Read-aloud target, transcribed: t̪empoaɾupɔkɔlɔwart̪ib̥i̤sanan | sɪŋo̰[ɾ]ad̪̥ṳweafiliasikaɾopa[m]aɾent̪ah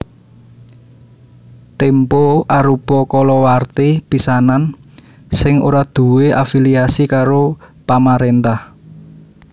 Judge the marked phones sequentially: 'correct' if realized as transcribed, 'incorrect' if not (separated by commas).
correct, correct